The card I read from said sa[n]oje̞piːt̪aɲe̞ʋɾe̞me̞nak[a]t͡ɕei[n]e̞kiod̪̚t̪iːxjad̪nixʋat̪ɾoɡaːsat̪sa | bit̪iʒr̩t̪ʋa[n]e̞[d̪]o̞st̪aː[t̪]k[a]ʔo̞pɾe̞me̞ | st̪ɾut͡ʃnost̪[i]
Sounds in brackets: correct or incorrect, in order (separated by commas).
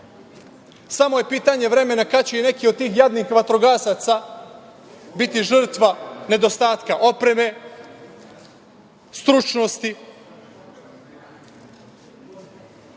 incorrect, correct, correct, correct, correct, correct, correct, correct